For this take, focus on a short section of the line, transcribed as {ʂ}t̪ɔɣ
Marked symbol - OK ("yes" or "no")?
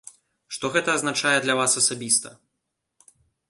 yes